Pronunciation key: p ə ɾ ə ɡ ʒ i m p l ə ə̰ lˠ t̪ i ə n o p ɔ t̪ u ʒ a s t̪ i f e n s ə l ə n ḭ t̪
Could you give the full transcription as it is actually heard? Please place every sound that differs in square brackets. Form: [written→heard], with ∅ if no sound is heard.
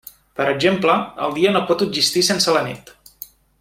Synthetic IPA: p ə ɾ ə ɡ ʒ [i→e] m p l ə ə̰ lˠ [t̪→d̪] i ə n o p ɔ t̪ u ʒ [a→i] s t̪ i [f→s] e n s ə l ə n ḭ t̪